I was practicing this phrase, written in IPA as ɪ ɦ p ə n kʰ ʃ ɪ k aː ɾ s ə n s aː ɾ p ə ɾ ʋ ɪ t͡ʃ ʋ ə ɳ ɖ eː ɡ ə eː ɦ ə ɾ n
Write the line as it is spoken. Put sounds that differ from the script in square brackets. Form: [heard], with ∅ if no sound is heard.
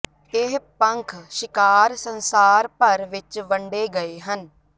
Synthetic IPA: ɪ ɦ p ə [ŋ] kʰ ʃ ɪ k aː ɾ s ə n s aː ɾ p ə ɾ ʋ ɪ t͡ʃ ʋ ə ɳ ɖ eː ɡ ə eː ɦ ə [∅] n